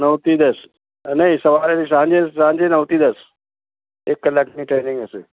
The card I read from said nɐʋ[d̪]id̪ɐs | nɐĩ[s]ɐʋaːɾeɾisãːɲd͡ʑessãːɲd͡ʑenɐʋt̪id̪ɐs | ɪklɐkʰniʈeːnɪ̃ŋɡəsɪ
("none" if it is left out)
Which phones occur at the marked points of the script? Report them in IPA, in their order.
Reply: t̪, s

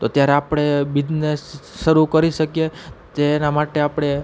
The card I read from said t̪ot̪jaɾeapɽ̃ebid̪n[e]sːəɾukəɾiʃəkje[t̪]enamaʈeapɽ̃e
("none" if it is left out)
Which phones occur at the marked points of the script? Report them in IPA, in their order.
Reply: e, t̪

